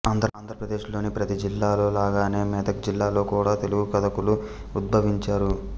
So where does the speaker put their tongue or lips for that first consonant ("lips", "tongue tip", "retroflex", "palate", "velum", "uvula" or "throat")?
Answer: tongue tip